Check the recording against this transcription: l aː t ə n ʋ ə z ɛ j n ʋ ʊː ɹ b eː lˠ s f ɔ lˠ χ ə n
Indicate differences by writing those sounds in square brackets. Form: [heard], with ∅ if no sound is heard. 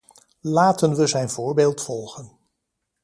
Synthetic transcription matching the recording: l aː t ə n ʋ ə z ɛ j n [v] ʊː ɹ b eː lˠ [t] f ɔ lˠ χ ə n

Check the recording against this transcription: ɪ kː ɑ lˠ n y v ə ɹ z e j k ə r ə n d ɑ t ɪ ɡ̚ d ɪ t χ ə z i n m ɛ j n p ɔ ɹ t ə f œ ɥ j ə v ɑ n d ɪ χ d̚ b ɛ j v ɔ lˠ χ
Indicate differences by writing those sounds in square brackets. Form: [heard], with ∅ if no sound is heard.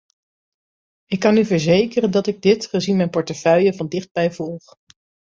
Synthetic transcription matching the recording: ɪ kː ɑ [∅] n y v ə ɹ z e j k ə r ə n d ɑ t ɪ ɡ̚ d ɪ t χ ə z i n m ɛ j n p ɔ ɹ t ə f œ ɥ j ə v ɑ n d ɪ χ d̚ b ɛ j v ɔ lˠ χ

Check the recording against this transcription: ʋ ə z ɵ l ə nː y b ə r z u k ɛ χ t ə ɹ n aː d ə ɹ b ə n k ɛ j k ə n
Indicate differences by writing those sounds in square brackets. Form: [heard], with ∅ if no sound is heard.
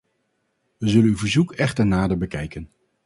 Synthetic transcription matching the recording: ʋ ə z ɵ l ə [n] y [v] ə [ɹ] z u k ɛ χ t ə ɹ n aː d ə ɹ b ə [∅] k ɛ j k ə n

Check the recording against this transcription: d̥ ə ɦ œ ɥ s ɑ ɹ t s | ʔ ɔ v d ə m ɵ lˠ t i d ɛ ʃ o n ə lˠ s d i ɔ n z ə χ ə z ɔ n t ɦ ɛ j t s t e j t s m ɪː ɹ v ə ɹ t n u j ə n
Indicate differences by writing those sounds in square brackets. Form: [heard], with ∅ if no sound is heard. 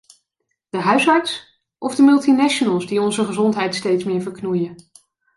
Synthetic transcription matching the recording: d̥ ə ɦ œ ɥ s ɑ ɹ t s | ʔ ɔ v d ə m ɵ lˠ t i [n] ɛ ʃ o n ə lˠ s d i ɔ n z ə χ ə z ɔ n t ɦ ɛ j t s t e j t s m ɪː ɹ v ə ɹ [k] n u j ə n

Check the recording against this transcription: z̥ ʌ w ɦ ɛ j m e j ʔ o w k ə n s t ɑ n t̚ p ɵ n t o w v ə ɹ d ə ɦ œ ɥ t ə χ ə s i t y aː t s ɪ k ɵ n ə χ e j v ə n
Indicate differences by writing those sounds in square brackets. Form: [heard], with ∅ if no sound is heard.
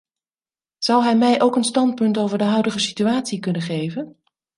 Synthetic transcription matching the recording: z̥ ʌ w ɦ ɛ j m [ɛ] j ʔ o w k ə n s t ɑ n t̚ p ɵ n t o w v ə ɹ d ə ɦ œ ɥ [d] ə χ ə s i t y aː t s [i] k ɵ n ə χ e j v ə n

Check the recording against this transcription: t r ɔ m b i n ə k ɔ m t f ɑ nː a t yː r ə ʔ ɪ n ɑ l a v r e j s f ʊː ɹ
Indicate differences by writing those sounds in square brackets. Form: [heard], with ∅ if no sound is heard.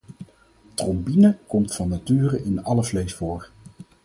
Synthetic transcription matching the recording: t r ɔ m b i n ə k ɔ m t f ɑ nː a t yː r ə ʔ ɪ n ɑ l [ə] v [l] e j s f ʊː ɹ

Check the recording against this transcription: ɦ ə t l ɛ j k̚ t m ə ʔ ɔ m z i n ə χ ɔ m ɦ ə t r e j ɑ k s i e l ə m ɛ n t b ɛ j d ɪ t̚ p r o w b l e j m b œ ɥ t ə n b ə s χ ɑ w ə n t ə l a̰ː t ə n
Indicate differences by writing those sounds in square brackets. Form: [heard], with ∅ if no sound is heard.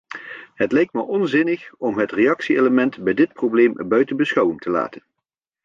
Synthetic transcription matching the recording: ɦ ə t l ɛ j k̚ t m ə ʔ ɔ [n] z [ɪ] n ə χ ɔ m ɦ ə t r e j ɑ k s i e l ə m ɛ n t b ɛ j d ɪ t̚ p r o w b l e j m b œ ɥ t ə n b ə s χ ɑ w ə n t ə l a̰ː t ə n

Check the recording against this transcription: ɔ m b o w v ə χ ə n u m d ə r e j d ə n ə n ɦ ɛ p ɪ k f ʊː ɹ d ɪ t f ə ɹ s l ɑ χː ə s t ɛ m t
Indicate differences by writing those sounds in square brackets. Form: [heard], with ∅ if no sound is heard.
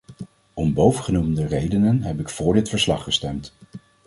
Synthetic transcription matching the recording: ɔ m b o w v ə χ ə n u m d ə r e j d ə n ə n ɦ ɛ p ɪ k f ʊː ɹ d ɪ t f ə ɹ s l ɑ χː ə s t ɛ m t

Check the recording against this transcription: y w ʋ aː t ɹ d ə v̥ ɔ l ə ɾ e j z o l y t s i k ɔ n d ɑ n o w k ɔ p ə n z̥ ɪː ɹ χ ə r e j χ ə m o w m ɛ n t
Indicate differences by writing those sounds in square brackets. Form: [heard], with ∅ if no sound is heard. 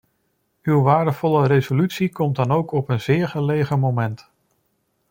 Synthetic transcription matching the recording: y w ʋ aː [∅] ɹ d ə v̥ ɔ l ə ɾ e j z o l y t s i k ɔ [m] d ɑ n o w k ɔ p ə n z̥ ɪː ɹ χ ə [l] e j χ ə m o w m ɛ n t

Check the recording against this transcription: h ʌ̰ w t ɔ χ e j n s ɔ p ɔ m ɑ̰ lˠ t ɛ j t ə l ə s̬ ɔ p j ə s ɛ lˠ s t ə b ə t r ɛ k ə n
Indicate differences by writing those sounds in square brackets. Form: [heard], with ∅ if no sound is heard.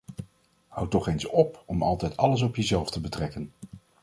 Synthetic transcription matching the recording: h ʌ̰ w t ɔ χ e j n s ɔ p ɔ m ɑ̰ lˠ t ɛ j t [ɑ] l ə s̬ ɔ p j ə [z] ɛ lˠ [f] t ə b ə t r ɛ k ə n

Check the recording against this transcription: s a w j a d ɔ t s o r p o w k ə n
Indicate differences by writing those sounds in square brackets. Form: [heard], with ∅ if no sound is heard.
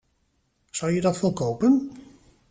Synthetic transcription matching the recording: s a w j [ə] d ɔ t [f] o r [k] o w [p] ə n

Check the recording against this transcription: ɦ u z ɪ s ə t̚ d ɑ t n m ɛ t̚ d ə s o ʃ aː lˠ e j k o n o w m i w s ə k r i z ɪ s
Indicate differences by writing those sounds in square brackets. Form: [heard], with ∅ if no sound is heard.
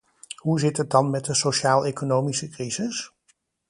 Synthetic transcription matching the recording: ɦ u z ɪ [t] ə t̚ d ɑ [∅] n m ɛ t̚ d ə s o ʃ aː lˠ e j k o n o w m i [∅] s ə k r i z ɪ s

